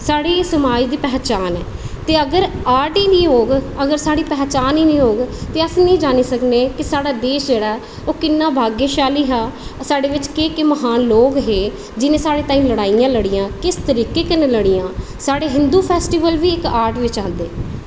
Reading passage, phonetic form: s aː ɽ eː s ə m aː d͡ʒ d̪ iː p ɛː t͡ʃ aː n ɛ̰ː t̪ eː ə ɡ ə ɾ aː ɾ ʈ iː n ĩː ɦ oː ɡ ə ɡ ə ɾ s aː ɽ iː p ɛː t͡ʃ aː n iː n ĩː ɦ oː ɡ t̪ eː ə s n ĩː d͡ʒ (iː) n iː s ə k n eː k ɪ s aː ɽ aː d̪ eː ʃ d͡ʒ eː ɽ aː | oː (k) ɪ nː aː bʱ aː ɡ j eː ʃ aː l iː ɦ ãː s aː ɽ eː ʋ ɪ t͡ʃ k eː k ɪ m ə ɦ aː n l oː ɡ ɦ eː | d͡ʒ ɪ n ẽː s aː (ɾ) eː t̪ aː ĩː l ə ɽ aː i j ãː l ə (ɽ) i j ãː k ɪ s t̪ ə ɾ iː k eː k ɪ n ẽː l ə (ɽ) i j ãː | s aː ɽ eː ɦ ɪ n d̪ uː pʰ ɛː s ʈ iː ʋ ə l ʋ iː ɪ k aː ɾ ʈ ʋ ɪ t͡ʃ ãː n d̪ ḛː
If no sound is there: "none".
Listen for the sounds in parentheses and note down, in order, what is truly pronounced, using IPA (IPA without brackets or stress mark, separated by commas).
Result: aː, k, ɽ, ɽ, ɽ